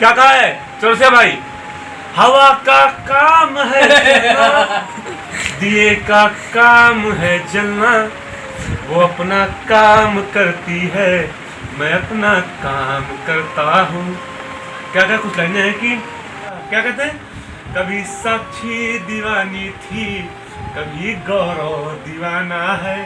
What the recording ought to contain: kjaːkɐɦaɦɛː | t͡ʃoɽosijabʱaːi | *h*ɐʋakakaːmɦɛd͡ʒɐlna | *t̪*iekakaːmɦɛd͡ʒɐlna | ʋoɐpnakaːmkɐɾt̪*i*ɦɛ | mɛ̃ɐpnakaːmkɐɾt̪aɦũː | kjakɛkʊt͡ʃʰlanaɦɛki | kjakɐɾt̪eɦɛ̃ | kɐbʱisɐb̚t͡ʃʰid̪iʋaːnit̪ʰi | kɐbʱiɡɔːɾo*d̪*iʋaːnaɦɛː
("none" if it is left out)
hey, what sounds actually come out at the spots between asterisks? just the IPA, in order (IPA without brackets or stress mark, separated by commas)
h, d̪, i, d̪